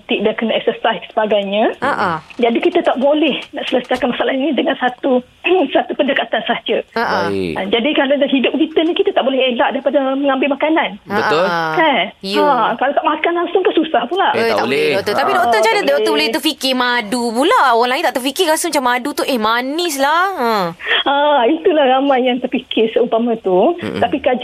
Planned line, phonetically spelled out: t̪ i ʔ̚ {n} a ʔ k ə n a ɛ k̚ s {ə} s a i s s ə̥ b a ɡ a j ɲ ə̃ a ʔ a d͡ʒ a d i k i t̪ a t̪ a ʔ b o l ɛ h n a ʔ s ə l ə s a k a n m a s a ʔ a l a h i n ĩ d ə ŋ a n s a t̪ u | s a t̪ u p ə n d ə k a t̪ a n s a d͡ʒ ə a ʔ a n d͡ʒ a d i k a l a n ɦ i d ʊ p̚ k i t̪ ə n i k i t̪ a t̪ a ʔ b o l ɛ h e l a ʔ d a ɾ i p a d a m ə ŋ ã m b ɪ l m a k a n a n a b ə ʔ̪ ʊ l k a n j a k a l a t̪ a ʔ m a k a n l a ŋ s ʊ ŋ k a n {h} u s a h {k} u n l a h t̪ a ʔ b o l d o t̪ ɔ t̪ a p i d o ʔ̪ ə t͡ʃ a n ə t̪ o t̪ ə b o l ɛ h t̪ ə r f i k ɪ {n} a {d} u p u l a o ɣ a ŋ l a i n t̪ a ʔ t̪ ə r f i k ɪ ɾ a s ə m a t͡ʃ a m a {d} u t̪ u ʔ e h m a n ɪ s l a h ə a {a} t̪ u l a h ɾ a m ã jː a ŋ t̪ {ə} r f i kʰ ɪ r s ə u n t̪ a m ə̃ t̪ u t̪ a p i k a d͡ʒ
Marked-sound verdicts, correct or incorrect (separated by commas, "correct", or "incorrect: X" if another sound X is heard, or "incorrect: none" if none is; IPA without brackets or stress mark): incorrect: d, correct, incorrect: s, incorrect: p, incorrect: m, correct, correct, incorrect: i, correct